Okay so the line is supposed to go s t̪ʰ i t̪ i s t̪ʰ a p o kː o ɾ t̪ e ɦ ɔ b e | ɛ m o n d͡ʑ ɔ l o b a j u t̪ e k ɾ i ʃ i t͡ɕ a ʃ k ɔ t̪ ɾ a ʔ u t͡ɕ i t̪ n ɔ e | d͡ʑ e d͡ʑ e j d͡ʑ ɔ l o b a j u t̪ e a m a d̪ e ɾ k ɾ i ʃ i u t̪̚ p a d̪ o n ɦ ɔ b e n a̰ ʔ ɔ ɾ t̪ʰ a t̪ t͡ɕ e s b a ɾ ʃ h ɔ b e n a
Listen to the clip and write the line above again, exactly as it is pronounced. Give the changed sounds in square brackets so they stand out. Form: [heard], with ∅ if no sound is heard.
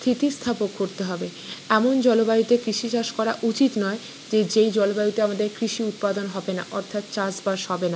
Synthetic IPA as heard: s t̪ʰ i t̪ i s t̪ʰ a p o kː o ɾ t̪ e ɦ ɔ b e | ɛ m o n d͡ʑ ɔ l o b a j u t̪ e k ɾ i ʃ i t͡ɕ a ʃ k ɔ [∅] ɾ a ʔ u t͡ɕ i t̪ n ɔ e | d͡ʑ e d͡ʑ e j d͡ʑ ɔ l o b a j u t̪ e a m a d̪ e ɾ k ɾ i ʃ i u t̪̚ p a d̪ o n ɦ ɔ b e n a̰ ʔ ɔ ɾ t̪ʰ a t̪ t͡ɕ [a] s b a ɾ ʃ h ɔ b e n a

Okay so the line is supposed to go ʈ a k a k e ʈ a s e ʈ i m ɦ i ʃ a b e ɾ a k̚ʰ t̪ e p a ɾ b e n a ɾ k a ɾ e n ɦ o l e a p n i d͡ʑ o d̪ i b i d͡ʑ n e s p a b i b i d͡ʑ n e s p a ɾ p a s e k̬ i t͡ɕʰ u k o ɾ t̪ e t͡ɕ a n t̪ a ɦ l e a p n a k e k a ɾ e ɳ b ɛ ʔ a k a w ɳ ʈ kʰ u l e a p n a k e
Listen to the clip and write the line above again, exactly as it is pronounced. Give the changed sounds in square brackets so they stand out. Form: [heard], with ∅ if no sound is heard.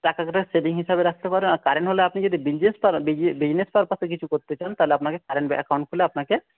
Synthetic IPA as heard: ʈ a k a k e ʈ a s e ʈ i [ŋ] ɦ i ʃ a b e ɾ a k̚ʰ t̪ e p a ɾ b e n a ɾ k a ɾ e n ɦ o l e a p n i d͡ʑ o d̪ i b i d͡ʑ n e s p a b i b i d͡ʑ n e s p a ɾ p a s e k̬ i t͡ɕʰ u k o ɾ t̪ e t͡ɕ a n t̪ a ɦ l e a p n a k e k a ɾ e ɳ b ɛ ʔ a k a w ɳ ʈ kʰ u l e a p n a k e

